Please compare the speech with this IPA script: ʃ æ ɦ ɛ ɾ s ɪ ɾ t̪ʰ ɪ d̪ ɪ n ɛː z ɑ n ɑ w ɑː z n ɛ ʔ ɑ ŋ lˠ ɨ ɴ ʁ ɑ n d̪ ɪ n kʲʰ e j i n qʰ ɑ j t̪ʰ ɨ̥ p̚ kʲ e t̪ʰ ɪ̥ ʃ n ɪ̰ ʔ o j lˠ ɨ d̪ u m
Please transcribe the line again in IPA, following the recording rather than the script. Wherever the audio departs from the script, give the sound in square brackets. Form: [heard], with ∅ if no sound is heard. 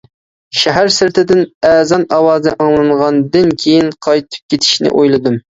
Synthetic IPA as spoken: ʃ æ ɦ [æ] ɾ s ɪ ɾ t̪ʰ ɪ d̪ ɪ n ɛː z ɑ n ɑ w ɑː z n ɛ ʔ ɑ ŋ lˠ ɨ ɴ ʁ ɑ n d̪ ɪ n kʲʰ e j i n qʰ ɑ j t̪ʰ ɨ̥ p̚ kʲ e t̪ʰ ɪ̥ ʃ n ɪ̰ ʔ o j lˠ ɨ d̪ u m